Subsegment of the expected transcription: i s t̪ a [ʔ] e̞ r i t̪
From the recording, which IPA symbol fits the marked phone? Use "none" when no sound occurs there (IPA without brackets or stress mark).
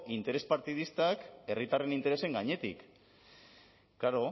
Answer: k